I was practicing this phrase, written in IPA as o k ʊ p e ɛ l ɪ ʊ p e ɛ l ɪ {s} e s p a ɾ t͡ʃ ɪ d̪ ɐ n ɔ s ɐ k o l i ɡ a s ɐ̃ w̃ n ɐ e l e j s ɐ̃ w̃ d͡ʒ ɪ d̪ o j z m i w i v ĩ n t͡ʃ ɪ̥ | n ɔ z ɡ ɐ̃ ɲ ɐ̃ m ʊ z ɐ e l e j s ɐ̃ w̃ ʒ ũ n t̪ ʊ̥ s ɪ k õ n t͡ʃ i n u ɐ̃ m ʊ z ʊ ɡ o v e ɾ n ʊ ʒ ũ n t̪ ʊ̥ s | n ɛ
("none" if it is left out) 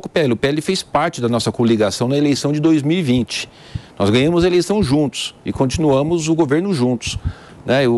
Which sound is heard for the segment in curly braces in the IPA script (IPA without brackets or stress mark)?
f